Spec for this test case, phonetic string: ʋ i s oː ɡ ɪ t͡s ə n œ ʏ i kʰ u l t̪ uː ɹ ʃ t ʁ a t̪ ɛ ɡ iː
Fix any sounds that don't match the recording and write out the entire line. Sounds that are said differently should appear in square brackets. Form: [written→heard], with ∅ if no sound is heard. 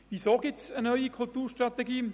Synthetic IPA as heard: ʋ i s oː ɡ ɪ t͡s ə n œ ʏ i kʰ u l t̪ uː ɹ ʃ t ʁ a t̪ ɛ ɡ iː